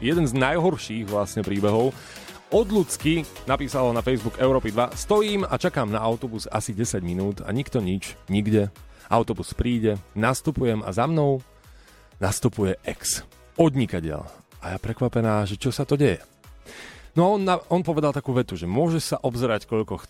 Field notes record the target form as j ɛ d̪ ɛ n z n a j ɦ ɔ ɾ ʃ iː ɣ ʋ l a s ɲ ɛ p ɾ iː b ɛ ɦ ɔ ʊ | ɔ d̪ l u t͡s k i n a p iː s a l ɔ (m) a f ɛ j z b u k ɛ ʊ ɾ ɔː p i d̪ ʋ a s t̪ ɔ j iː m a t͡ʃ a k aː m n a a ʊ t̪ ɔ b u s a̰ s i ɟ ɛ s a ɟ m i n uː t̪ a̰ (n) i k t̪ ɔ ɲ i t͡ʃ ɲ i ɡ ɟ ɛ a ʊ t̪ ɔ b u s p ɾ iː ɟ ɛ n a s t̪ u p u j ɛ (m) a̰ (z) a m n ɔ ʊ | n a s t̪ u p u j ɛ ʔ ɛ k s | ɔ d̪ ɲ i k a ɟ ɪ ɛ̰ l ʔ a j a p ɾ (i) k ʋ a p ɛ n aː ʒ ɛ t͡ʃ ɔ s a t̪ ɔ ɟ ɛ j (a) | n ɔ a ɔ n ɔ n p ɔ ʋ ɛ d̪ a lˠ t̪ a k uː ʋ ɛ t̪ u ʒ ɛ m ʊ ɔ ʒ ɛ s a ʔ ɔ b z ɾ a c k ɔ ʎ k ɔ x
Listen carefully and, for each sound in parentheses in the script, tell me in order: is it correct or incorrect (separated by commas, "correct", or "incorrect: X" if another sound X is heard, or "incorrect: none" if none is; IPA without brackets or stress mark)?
incorrect: n, incorrect: ɲ, correct, correct, incorrect: ɛ, incorrect: ɛ